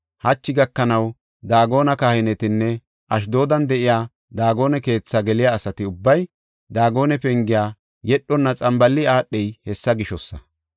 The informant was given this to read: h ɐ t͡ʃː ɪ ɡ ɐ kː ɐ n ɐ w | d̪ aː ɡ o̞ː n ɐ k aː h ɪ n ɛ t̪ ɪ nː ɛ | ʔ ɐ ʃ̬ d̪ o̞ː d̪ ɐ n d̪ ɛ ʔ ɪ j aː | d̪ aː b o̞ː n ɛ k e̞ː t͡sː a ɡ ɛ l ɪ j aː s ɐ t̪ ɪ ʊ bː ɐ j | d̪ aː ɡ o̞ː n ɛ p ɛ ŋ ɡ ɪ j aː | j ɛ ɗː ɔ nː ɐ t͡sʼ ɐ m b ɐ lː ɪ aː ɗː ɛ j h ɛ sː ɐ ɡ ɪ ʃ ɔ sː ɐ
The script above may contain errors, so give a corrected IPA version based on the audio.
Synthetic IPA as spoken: h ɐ t͡ʃː ɪ ɡ ɐ kː ɐ n ɐ w | d̪ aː ɡ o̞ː n ɐ k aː h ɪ n ɛ t̪ ɪ nː ɛ | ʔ ɐ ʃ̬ d̪ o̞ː d̪ ɐ n d̪ ɛ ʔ ɪ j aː | d̪ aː ɡ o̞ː n ɛ k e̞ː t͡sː a ɡ ɛ l ɪ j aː s ɐ t̪ ɪ ʊ bː ɐ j | d̪ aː ɡ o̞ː n ɛ p ɛ ŋ ɡ ɪ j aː | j ɛ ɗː ɔ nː ɐ t͡sʼ ɐ m b ɐ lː ɪ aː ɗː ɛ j h ɛ sː ɐ ɡ ɪ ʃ ɔ sː ɐ